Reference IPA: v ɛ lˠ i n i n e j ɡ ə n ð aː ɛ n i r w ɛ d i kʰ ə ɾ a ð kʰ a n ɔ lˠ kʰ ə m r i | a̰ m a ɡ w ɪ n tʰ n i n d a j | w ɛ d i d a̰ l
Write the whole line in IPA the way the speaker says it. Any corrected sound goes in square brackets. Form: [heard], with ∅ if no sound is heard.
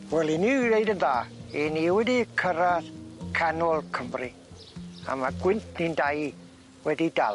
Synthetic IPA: [w] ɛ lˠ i n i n e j [d] ə n ð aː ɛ n i [∅] w ɛ d i kʰ ə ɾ a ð kʰ a n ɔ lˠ kʰ ə m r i | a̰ m a ɡ w ɪ n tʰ n i n d a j | w ɛ d i d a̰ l